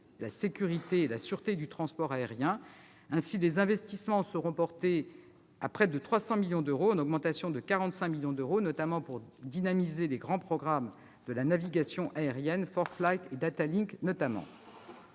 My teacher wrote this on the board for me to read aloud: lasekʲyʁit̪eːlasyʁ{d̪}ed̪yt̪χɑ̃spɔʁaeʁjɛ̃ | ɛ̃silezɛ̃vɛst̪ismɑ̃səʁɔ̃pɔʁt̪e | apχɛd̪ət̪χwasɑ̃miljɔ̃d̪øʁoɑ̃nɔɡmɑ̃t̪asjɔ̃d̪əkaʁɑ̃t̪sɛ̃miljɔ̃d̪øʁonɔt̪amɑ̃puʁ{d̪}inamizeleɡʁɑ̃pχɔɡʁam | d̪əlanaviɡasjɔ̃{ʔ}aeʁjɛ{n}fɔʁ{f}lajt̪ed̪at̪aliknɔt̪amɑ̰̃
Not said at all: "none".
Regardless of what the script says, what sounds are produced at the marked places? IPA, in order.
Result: t̪, d̪, ʔ, n, f

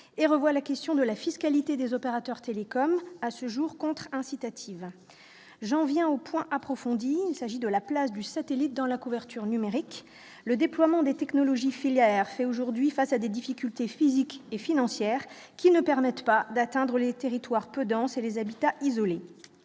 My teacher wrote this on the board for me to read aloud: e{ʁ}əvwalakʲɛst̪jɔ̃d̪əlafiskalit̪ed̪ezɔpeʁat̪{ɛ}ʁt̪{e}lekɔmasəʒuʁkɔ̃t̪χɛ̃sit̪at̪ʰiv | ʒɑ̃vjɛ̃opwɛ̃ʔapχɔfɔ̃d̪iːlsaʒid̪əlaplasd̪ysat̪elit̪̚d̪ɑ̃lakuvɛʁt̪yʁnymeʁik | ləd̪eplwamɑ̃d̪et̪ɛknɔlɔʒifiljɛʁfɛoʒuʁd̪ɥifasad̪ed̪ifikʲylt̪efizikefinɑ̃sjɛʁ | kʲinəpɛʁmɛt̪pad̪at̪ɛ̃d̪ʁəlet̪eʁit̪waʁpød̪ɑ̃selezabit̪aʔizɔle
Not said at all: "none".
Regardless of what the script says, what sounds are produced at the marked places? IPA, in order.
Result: ʁ, œ, e

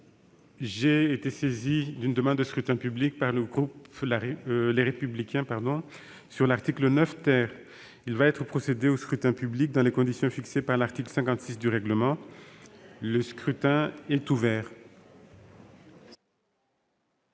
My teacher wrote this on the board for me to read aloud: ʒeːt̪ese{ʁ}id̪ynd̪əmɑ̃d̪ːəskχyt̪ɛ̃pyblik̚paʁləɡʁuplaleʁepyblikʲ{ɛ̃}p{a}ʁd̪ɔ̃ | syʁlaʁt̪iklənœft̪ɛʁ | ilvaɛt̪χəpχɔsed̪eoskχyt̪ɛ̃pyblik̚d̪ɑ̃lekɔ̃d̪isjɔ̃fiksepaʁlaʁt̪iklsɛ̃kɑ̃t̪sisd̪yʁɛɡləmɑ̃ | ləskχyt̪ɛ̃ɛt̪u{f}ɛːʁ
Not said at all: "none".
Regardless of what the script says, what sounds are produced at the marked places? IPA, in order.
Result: z, ɛ̃, a, v

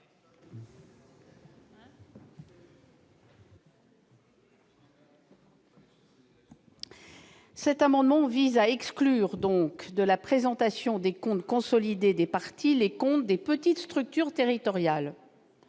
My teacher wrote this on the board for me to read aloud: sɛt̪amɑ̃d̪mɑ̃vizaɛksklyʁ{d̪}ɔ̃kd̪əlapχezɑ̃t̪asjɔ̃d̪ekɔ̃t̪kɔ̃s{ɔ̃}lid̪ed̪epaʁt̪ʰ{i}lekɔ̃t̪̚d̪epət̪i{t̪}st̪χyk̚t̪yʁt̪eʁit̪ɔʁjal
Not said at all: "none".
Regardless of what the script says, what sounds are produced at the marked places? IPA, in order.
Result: d̪, ɔ, i, t̪

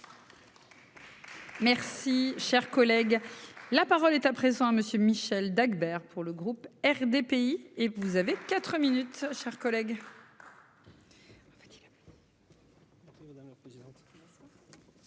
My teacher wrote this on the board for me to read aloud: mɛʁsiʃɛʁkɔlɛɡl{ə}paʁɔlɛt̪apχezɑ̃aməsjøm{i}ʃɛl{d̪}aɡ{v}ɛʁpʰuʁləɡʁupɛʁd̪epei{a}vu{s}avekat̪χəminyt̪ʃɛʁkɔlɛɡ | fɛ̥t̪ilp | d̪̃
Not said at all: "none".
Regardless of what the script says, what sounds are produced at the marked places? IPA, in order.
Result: a, i, d̪, b, e, z

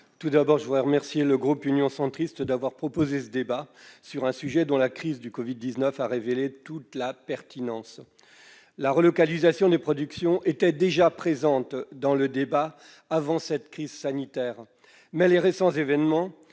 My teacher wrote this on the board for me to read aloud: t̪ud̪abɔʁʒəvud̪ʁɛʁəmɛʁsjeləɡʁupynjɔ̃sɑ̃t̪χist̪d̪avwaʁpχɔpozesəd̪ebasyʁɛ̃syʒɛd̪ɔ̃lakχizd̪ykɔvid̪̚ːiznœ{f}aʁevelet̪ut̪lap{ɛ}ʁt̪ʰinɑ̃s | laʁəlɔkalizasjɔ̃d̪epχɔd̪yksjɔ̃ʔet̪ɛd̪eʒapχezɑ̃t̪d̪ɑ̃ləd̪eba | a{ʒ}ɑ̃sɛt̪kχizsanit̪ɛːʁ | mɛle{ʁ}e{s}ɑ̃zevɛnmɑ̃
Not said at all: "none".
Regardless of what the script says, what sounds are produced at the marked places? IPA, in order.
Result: f, ɛ, v, ʁ, s

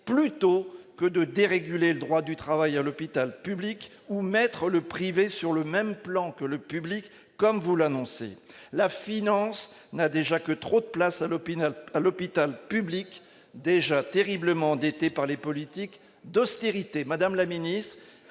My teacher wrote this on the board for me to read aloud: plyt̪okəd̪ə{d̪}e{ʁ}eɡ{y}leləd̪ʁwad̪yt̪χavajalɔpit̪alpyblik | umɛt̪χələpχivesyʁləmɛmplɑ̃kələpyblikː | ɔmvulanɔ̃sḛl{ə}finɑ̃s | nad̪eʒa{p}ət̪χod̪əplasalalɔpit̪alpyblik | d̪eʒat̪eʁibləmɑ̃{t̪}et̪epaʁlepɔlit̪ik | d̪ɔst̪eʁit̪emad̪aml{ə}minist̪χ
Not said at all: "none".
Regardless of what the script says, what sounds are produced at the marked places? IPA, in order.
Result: d̪, ʁ, y, a, k, d̪, a

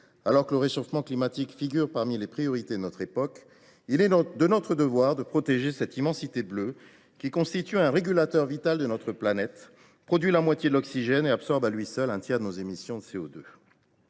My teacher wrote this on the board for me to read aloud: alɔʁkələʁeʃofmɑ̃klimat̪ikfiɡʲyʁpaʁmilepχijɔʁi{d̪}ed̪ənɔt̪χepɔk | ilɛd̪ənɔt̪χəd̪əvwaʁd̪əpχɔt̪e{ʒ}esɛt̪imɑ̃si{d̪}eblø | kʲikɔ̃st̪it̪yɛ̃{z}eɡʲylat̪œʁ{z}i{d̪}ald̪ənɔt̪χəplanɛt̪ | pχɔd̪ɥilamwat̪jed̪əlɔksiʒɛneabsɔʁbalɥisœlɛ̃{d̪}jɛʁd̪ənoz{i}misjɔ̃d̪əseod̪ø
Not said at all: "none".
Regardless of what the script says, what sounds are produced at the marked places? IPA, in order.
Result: t̪, ʒ, t̪, ʁ, v, t̪, t̪, e

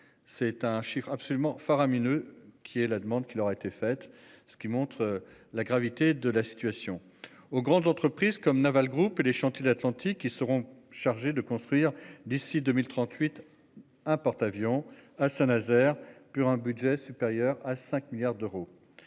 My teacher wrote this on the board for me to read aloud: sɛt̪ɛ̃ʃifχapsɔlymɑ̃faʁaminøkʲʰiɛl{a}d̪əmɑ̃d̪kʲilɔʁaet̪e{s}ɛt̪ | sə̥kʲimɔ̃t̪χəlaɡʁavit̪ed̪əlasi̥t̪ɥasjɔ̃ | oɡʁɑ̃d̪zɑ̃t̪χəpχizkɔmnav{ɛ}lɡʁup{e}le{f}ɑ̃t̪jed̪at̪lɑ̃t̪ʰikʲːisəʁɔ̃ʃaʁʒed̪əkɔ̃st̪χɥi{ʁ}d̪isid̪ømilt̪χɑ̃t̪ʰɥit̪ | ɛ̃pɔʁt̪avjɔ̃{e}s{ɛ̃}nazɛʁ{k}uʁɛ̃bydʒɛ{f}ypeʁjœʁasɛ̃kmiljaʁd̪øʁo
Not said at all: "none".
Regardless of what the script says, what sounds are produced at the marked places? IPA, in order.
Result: a, f, a, e, ʃ, ʁ, a, ɛ̃, p, s

